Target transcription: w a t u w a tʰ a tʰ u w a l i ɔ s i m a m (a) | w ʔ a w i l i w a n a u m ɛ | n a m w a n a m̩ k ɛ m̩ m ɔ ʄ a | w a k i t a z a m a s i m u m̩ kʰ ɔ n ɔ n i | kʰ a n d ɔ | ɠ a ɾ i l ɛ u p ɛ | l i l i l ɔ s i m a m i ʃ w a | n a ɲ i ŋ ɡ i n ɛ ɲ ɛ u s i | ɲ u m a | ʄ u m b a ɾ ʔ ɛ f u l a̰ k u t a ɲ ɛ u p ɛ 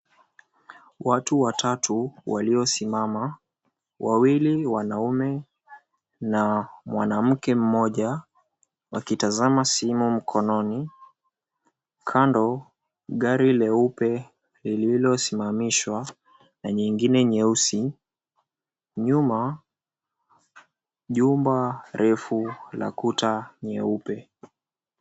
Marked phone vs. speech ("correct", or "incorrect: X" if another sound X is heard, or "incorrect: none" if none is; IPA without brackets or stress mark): correct